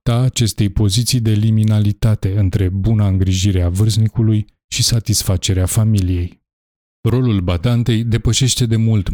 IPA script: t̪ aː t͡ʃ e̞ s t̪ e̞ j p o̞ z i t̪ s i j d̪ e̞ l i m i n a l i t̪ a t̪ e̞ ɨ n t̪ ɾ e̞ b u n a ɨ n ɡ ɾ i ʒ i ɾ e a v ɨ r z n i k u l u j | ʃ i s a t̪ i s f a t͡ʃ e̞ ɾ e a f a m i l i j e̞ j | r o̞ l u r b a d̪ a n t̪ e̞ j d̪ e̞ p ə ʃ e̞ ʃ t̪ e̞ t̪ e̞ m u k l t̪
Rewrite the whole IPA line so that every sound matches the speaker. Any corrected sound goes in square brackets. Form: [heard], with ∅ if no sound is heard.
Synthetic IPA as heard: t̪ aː t͡ʃ e̞ s t̪ e̞ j p o̞ z i t̪ s i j d̪ e̞ l i m i n a l i t̪ a t̪ e̞ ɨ n t̪ ɾ e̞ b u n a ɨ [ŋ] ɡ ɾ i ʒ i ɾ e a v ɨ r z n i k u l u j | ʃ i s a t̪ i s f a t͡ʃ e̞ ɾ e a f a m i l i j e̞ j | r o̞ l u [l] b a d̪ a n t̪ e̞ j d̪ e̞ p ə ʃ e̞ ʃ t̪ e̞ [d̪] e̞ m u [∅] l t̪